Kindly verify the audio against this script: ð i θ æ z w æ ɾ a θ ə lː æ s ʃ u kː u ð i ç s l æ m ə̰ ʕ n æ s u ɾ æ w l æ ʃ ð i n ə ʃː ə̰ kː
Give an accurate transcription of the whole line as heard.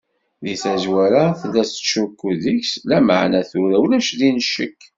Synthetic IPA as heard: ð i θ æ z w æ ɾ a θ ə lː æ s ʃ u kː u ð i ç s l æ m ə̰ ʕ n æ θ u ɾ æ w l æ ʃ ð i n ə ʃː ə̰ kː